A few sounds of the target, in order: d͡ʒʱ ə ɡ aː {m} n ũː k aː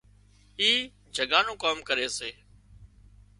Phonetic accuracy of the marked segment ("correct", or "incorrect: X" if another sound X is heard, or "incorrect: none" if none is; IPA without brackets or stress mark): incorrect: none